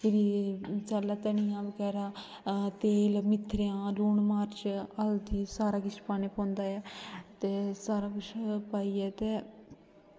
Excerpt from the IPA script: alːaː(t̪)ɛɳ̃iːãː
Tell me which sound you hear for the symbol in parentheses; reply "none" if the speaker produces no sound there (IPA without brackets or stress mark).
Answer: t̪